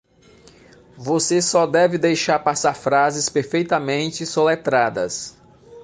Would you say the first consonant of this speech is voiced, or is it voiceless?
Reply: voiced